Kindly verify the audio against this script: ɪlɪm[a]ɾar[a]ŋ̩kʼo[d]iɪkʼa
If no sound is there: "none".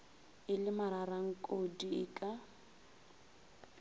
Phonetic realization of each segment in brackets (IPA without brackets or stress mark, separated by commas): a, a, d